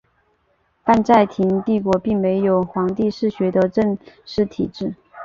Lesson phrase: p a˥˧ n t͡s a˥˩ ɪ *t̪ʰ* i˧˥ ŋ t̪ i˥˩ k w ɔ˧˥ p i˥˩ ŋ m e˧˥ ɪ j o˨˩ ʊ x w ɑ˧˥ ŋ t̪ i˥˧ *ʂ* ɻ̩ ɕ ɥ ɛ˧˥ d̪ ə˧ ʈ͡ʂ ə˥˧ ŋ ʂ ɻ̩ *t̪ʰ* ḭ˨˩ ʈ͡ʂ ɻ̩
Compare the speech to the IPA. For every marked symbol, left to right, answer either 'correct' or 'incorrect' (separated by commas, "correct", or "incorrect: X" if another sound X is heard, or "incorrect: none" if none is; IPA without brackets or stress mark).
correct, correct, correct